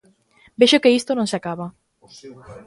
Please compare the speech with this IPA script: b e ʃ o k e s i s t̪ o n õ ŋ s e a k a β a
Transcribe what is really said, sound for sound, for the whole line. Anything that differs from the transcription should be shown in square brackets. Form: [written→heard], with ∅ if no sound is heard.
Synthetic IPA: b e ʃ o k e [s→∅] i s t̪ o n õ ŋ s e a k a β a